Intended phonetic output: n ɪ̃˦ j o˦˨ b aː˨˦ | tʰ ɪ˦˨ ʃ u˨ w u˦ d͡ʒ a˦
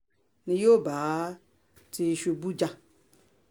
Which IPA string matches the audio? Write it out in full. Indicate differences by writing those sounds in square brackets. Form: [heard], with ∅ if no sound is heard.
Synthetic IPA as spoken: n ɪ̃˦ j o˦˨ b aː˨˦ | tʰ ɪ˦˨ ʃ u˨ [b] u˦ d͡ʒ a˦